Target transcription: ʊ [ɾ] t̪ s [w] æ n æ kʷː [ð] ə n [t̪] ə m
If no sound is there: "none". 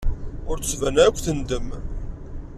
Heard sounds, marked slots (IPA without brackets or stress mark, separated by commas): ɾ, v, θ, d̪